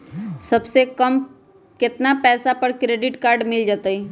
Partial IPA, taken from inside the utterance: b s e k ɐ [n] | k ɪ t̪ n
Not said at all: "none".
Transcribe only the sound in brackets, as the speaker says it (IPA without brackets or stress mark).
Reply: m